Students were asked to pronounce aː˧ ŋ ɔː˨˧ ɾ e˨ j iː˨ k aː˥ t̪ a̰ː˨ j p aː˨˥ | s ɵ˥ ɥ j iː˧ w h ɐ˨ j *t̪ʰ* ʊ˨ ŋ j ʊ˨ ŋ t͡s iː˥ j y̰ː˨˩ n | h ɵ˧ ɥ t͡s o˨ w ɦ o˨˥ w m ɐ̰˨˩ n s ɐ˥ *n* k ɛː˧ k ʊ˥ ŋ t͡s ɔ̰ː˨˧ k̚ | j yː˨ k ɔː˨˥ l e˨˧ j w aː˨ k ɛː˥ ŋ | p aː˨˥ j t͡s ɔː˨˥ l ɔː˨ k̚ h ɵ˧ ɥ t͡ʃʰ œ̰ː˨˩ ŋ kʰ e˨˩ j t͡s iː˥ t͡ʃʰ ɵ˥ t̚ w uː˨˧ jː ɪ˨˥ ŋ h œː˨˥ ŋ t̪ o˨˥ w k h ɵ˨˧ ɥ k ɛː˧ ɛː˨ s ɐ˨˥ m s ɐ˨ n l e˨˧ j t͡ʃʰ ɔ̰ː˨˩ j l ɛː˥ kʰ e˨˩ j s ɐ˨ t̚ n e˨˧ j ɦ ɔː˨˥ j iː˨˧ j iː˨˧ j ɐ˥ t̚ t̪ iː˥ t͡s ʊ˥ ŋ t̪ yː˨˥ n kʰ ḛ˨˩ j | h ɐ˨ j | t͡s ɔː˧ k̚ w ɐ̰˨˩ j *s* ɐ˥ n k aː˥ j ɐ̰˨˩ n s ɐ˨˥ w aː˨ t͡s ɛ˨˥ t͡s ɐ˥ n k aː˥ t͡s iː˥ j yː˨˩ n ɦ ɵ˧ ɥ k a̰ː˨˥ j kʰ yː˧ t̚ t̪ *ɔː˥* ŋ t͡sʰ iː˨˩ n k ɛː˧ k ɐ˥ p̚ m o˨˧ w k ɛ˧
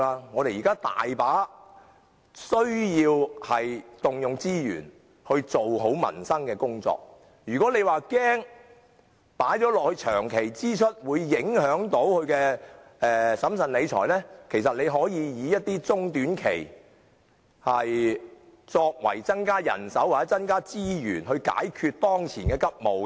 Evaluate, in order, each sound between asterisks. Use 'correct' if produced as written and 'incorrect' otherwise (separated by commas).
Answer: incorrect, incorrect, incorrect, correct